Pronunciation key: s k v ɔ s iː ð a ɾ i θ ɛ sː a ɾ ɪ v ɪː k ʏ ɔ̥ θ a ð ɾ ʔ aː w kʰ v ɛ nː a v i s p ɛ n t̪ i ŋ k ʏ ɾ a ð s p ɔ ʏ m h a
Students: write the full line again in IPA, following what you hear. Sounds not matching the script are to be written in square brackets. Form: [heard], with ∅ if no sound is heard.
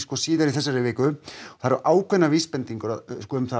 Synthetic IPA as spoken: s k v ɔ s iː ð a ɾ i θ ɛ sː a ɾ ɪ v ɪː k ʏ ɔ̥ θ a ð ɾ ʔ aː w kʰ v ɛ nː a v i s p ɛ n t̪ i ŋ k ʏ ɾ a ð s [k] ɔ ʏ m [θ] a